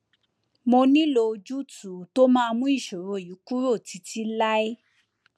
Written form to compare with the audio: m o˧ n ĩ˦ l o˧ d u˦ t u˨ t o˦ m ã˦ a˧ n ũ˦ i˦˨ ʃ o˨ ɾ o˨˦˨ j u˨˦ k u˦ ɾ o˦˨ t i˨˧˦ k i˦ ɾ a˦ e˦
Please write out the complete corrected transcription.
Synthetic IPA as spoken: m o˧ n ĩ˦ l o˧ d͡ʒ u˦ t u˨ t o˦ m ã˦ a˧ m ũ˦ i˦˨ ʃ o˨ ɾ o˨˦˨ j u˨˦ k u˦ ɾ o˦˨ t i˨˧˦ t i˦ l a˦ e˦